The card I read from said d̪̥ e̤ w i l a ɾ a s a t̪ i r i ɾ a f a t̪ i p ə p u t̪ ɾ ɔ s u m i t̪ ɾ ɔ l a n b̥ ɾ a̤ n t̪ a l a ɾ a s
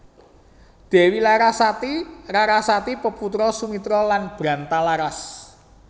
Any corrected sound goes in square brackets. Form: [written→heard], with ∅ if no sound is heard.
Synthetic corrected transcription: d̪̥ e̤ w i l a ɾ a s a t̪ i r [i→a] ɾ a [f→s] a t̪ i p ə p u t̪ ɾ ɔ s u m i t̪ ɾ ɔ l a n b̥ ɾ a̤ n t̪ a l a ɾ a s